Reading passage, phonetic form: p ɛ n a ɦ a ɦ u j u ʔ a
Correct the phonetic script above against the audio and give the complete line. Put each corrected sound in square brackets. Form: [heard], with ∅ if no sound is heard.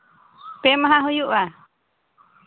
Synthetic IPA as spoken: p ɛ [m] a ɦ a ɦ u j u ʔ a